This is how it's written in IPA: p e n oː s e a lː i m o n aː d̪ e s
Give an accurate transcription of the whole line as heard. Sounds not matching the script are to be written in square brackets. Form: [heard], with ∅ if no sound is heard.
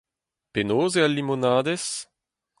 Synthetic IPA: p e n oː [z] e a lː i m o n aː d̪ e s